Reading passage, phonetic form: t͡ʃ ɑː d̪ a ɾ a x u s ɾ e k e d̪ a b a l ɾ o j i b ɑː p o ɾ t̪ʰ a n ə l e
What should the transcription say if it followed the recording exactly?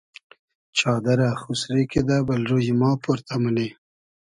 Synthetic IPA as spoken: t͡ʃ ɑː d̪ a ɾ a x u s ɾ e k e d̪ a b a l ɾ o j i m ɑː p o ɾ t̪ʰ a m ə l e